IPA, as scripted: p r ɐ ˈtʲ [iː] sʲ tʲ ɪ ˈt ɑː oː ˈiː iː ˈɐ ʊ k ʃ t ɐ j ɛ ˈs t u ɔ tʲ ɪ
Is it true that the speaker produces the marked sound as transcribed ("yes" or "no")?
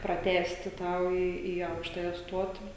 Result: no